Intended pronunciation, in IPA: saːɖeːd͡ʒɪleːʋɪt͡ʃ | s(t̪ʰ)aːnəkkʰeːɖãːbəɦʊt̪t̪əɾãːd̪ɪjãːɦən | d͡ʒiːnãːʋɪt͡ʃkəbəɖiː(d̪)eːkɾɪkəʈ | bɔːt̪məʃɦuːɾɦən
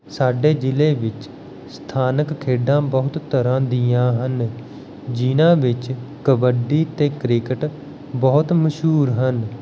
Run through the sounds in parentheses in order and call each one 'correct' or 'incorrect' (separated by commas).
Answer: correct, incorrect